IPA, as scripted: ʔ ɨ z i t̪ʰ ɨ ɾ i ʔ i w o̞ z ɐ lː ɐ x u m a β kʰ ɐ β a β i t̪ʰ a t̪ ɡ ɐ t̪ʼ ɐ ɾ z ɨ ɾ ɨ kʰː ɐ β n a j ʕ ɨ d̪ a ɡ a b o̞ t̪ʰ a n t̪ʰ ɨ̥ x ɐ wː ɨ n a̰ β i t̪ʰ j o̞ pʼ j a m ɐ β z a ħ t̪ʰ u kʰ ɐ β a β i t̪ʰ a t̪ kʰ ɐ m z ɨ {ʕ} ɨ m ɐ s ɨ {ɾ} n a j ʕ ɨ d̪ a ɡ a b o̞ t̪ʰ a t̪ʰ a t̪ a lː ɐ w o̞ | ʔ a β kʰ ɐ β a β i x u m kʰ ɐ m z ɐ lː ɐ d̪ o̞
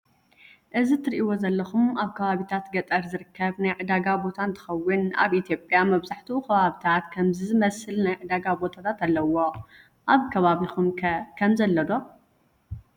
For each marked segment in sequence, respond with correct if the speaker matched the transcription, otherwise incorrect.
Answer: incorrect: z, incorrect: l

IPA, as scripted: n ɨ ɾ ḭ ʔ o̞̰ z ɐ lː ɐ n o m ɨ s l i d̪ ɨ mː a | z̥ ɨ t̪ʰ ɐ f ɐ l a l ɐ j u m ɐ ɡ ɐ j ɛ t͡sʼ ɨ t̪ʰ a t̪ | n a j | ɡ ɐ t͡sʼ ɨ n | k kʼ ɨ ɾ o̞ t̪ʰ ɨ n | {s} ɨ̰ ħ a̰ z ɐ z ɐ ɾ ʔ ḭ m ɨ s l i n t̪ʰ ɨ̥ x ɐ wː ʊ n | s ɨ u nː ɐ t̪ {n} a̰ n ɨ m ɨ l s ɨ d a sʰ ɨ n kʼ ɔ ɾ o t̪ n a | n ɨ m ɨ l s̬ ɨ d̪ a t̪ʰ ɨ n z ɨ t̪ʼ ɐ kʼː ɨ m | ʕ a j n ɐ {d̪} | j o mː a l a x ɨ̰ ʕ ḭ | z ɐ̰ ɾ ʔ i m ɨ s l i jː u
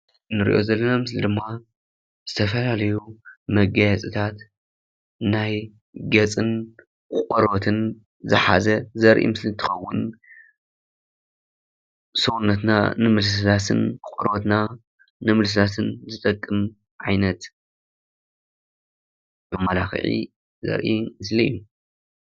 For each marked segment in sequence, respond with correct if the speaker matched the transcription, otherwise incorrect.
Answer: incorrect: z, correct, incorrect: t̪

